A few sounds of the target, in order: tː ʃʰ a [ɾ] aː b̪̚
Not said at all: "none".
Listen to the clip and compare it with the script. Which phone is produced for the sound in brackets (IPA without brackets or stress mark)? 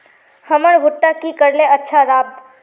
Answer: ɾ